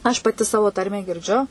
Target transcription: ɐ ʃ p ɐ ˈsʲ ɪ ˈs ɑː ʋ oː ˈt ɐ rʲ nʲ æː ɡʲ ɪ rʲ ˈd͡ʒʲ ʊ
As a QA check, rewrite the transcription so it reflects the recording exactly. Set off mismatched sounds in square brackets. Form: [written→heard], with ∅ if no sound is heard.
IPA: ɐ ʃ p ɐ [ˈsʲ→ˈtʲ] ɪ ˈs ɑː ʋ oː ˈt ɐ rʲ [nʲ→mʲ] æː ɡʲ ɪ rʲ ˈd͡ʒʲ ʊ